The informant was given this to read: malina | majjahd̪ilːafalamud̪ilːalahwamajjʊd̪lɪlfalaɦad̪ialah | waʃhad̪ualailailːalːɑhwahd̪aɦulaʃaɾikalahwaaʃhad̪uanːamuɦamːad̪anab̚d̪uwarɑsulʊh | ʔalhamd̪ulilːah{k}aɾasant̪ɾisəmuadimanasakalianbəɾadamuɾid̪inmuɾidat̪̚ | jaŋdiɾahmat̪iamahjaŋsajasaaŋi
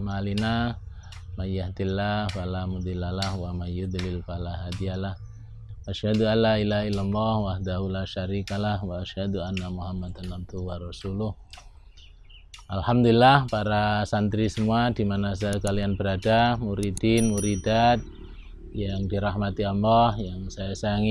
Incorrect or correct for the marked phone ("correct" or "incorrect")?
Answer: incorrect